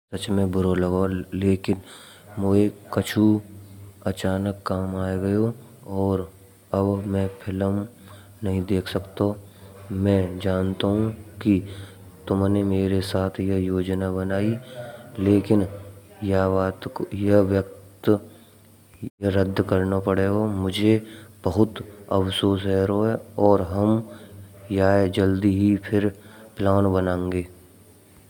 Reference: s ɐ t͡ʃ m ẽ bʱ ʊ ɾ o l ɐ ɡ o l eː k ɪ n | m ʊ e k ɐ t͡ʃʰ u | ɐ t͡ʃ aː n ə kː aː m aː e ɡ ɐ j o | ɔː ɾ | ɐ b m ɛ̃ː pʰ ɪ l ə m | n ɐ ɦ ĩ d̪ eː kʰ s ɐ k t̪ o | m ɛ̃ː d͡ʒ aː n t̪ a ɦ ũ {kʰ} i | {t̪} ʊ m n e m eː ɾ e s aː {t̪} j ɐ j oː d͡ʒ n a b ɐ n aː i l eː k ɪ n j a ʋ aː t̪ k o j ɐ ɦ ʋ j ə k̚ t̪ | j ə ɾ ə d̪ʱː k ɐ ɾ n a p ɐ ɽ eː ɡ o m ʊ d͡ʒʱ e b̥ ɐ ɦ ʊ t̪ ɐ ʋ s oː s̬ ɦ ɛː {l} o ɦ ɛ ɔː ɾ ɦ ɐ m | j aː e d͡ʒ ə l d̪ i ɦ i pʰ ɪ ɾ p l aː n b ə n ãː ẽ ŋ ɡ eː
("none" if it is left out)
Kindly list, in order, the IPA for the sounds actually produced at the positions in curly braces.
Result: k, t̪, t̪ʰ, ɾ

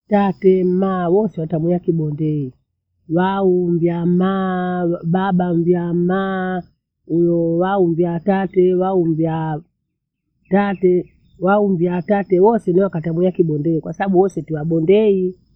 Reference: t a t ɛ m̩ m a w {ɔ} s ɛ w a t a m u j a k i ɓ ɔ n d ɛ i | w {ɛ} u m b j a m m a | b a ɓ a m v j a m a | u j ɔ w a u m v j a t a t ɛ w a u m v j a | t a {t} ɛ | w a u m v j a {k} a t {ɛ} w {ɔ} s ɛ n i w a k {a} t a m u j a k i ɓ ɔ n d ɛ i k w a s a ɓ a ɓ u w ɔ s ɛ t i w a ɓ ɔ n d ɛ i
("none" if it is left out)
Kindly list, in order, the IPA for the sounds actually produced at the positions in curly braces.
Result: ɔ, a, t, t, ɛ, ɔ, a

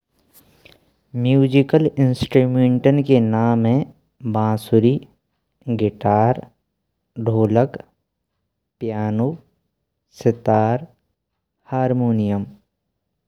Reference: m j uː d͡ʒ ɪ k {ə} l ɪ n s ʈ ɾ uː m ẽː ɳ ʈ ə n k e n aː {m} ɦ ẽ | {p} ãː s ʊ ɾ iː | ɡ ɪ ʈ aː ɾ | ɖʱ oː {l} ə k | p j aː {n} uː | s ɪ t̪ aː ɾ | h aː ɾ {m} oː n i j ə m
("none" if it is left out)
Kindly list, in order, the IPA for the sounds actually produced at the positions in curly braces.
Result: ə, m, b, l, n, m

